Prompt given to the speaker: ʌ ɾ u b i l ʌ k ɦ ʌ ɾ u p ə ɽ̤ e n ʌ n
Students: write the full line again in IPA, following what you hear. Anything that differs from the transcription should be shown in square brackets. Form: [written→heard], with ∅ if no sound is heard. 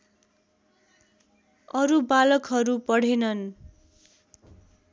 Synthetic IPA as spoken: ʌ ɾ u b [i→a] l ʌ k ɦ ʌ ɾ u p [ə→ʌ] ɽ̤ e n ʌ n

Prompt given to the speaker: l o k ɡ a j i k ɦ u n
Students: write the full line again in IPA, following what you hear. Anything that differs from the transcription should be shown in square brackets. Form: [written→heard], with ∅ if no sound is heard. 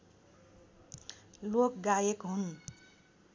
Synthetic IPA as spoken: l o k ɡ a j [i→e] k ɦ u n

